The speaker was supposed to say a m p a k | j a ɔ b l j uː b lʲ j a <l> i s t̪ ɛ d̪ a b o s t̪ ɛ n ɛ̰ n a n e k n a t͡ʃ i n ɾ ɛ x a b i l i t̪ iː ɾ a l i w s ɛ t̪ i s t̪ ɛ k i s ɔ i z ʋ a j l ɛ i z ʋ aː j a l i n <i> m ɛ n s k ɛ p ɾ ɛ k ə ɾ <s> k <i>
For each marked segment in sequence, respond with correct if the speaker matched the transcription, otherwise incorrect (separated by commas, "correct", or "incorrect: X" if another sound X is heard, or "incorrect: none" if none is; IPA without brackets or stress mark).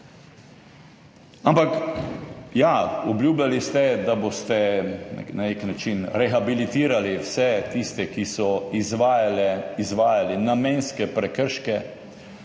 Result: correct, incorrect: a, incorrect: ʃ, incorrect: ɛ